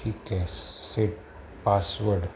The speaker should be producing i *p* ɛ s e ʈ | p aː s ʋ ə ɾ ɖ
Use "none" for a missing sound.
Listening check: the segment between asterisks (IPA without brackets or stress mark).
k